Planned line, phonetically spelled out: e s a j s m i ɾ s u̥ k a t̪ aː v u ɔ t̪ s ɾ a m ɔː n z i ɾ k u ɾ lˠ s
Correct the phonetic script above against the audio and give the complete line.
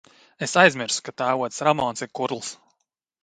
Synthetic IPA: e s a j z m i ɾ s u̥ k a t̪ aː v u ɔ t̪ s ɾ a m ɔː n s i ɾ k u ɾ lˠ s